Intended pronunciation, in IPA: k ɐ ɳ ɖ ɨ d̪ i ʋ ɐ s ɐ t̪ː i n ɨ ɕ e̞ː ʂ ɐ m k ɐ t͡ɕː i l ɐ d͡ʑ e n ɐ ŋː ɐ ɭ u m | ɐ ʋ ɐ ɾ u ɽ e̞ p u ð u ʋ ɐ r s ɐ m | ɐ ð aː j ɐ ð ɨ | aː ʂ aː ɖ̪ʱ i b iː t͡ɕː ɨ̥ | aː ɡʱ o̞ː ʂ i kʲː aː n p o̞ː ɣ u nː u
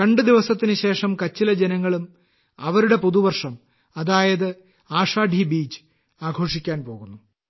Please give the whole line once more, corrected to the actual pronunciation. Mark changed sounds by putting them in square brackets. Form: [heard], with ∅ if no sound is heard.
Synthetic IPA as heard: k ɐ ɳ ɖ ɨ d̪ i ʋ ɐ s ɐ t̪ː i n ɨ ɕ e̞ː ʂ ɐ m k ɐ t͡ɕː i l ɐ d͡ʑ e n ɐ ŋː ɐ ɭ u m | ɐ ʋ ɐ ɾ u ɽ e̞ p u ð u ʋ ɐ r [ʂ] ɐ m | ɐ ð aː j ɐ ð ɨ | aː ʂ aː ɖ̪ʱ i b iː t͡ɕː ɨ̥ | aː ɡʱ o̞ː ʂ i kʲː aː n p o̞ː ɣ u nː u

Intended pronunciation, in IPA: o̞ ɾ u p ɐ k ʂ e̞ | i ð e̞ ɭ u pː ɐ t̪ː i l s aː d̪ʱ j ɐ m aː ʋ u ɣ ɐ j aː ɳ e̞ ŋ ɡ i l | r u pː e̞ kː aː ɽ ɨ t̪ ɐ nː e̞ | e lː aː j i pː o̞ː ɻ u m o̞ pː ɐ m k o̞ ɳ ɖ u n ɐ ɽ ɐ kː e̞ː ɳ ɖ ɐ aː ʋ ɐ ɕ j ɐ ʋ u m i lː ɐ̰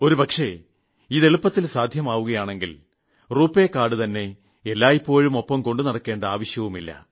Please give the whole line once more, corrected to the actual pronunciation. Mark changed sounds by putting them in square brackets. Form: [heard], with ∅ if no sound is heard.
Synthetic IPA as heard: o̞ ɾ u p ɐ k ʂ e̞ | i ð e̞ ɭ u pː ɐ t̪ː i l s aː d̪ʱ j ɐ m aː ʋ u ɣ ɐ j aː ɳ e̞ ŋ ɡ i l | r [uː] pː e̞ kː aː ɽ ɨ t̪ ɐ nː e̞ | e lː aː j i pː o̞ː ɻ u m o̞ pː ɐ m k o̞ ɳ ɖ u n ɐ ɽ ɐ kː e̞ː ɳ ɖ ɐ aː ʋ ɐ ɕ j ɐ ʋ u m i lː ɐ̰

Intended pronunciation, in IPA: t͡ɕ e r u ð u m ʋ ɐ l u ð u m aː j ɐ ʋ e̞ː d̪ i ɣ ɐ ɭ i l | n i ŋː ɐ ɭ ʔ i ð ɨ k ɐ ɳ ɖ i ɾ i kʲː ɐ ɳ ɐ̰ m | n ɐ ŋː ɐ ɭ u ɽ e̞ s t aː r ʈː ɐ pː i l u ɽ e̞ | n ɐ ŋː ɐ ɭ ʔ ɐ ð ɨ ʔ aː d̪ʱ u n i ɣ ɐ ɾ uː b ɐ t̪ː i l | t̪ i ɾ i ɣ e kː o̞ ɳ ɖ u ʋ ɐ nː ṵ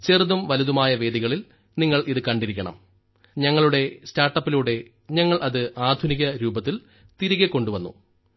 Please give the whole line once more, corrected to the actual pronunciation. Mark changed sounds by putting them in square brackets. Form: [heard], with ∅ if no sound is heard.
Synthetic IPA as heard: t͡ɕ e r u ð u m ʋ ɐ l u ð u m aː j ɐ ʋ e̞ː d̪ i ɣ ɐ ɭ i l | n i ŋː ɐ ɭ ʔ i ð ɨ k ɐ ɳ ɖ i ɾ i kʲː ɐ ɳ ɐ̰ m | [ɲ] ɐ ŋː ɐ ɭ u ɽ e̞ s t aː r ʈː ɐ pː i l u ɽ e̞ | [ɲ] ɐ ŋː ɐ ɭ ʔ ɐ ð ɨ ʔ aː d̪ʱ u n i ɣ ɐ ɾ uː b ɐ t̪ː i l | t̪ i ɾ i ɣ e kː o̞ ɳ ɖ u ʋ ɐ nː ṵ

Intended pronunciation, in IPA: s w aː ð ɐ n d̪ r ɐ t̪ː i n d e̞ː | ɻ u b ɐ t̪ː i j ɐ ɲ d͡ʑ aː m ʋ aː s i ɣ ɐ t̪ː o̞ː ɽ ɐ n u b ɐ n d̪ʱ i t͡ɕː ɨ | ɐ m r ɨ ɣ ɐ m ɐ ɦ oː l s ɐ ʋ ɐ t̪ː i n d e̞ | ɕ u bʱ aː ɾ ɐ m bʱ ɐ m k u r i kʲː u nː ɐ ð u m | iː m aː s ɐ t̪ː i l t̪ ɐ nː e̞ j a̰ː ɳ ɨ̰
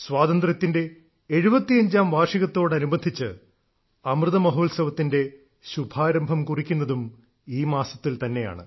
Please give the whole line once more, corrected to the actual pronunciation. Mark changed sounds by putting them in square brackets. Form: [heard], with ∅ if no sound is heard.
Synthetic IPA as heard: s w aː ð ɐ n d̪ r ɐ t̪ː i n d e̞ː | ɻ u b ɐ t̪ː i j ɐ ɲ d͡ʑ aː m ʋ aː [ʂ] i ɣ ɐ t̪ː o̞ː ɽ ɐ n u b ɐ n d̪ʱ i t͡ɕː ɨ | ɐ m r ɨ [ð] ɐ m ɐ ɦ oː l s ɐ ʋ ɐ t̪ː i n d e̞ | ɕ u bʱ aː ɾ ɐ m bʱ ɐ m k u r i kʲː u nː ɐ ð u m | iː m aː s ɐ t̪ː i l t̪ ɐ nː e̞ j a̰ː ɳ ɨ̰

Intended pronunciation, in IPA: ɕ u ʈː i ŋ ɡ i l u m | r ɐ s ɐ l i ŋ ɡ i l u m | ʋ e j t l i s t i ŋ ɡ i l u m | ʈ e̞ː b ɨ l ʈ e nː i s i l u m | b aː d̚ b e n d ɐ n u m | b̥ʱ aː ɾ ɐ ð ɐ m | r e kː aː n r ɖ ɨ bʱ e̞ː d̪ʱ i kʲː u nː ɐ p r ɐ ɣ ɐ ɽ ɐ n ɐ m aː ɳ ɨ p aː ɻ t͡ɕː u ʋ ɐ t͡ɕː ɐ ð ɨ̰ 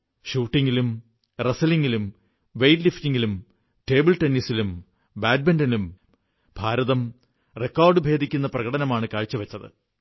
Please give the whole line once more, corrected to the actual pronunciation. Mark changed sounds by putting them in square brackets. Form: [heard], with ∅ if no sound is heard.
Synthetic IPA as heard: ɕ [uː] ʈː i ŋ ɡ i l u m | r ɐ s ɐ l i ŋ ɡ i l u m | ʋ e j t l i [f] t i ŋ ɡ i l u m | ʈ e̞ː b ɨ l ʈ e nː i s i l u m | b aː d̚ b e n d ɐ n u m | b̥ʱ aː ɾ ɐ ð ɐ m | r e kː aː [∅] r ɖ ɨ bʱ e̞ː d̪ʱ i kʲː u nː ɐ p r ɐ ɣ ɐ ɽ ɐ n ɐ m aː ɳ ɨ [k] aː ɻ t͡ɕː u ʋ ɐ t͡ɕː ɐ ð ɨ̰

